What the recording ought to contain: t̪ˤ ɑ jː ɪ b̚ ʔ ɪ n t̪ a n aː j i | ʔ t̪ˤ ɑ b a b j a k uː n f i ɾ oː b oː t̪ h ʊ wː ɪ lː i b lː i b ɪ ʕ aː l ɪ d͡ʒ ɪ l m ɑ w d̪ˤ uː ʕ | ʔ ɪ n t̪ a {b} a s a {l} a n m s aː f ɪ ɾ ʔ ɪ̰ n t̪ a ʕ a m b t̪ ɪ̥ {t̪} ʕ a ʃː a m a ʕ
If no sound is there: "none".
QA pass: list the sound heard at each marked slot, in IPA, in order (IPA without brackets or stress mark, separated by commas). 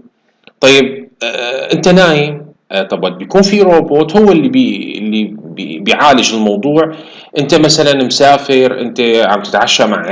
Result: m, l, t̪